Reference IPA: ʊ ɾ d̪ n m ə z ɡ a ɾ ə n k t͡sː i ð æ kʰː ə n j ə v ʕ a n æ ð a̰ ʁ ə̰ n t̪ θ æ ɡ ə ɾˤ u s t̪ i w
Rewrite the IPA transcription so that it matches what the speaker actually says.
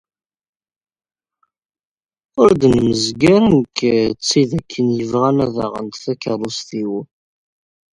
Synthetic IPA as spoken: ʊ ɾ d̪ n m ə z ɡ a ɾ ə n k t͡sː i ð æ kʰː ə n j ə v ʁ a n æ ð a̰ ʁ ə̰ n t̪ θ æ k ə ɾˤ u s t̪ i w